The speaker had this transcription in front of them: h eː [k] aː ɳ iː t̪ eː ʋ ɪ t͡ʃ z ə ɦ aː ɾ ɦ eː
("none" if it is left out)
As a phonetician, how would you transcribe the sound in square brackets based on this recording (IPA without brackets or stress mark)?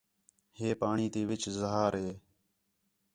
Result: p